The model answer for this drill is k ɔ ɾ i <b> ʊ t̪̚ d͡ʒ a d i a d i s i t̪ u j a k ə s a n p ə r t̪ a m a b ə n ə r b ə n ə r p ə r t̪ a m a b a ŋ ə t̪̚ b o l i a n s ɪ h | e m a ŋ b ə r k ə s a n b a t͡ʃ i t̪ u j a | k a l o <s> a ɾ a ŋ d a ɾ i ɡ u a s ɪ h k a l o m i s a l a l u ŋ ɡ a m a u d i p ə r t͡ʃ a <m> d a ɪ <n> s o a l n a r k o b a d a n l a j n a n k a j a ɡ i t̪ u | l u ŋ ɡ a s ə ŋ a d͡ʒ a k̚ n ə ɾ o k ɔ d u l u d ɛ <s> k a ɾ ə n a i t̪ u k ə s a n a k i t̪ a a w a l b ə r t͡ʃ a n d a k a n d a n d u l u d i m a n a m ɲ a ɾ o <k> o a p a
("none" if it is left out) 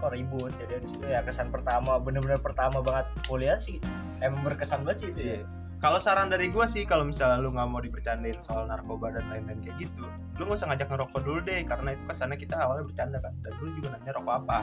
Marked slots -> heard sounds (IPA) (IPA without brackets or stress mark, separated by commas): b, s, n, n, h, k